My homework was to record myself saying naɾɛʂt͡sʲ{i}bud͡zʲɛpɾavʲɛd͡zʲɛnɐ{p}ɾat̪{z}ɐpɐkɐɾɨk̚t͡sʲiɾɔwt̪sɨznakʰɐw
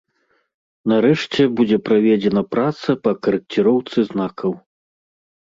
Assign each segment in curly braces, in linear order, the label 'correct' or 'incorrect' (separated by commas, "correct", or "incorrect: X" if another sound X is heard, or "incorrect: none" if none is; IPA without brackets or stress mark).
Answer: incorrect: ɛ, correct, incorrect: s